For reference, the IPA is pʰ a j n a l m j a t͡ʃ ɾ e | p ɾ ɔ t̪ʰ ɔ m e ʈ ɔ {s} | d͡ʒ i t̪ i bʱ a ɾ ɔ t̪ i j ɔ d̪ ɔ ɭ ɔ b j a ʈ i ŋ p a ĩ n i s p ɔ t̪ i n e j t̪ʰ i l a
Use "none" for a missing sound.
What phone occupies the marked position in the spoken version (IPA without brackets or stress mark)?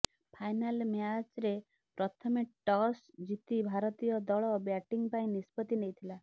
s